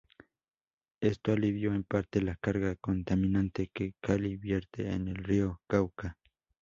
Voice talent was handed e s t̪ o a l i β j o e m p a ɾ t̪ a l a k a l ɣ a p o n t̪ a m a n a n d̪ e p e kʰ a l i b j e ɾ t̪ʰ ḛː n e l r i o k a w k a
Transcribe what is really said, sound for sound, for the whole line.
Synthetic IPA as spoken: e s t̪ o a l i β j o e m p a ɾ t̪ e l a k a ɾ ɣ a k o n t̪ a m i n a n t̪ e k e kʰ a l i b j e ɾ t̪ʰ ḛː n e l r i o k a w k a